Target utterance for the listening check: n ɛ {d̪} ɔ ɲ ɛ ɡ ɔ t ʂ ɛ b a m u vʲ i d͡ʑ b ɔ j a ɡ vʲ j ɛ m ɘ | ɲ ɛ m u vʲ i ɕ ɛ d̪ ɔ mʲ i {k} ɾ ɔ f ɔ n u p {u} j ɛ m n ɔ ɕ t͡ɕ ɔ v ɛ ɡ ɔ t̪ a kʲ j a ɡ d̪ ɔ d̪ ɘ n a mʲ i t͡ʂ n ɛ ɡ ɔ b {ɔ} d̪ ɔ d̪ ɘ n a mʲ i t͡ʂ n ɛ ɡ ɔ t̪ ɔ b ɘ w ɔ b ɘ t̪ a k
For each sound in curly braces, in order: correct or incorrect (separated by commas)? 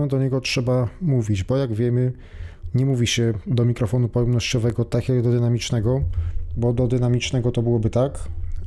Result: correct, correct, incorrect, correct